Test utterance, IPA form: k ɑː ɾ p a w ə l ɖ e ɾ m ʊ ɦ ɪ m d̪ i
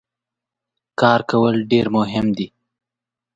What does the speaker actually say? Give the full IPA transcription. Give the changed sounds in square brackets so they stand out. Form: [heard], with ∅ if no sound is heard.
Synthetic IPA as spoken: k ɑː ɾ [k] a w ə l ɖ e ɾ m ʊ ɦ ɪ m d̪ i